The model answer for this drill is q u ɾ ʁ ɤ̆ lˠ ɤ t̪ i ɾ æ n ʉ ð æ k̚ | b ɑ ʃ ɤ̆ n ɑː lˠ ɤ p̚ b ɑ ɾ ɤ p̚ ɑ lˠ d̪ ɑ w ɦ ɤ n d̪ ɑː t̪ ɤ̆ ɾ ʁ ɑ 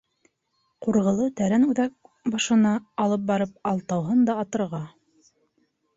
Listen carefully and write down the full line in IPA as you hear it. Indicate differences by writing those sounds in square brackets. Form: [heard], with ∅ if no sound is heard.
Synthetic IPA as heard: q u ɾ ʁ ɤ̆ lˠ ɤ t̪ [æ] ɾ æ n ʉ ð æ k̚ | b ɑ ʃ ɤ̆ n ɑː lˠ ɤ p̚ b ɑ ɾ ɤ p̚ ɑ lˠ [t̪] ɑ w ɦ ɤ n d̪ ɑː t̪ ɤ̆ ɾ ʁ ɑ